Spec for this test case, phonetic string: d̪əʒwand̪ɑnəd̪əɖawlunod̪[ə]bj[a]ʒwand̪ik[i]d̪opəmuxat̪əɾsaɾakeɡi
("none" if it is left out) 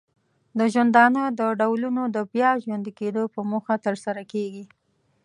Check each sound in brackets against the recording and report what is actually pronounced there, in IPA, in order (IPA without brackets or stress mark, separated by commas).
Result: ə, ɑ, e